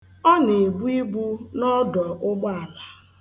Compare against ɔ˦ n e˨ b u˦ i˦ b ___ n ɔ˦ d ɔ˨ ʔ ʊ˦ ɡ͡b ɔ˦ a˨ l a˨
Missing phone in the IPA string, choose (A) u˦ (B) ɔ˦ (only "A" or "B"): A